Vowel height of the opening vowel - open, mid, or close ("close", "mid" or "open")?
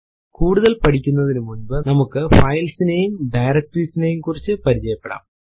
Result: close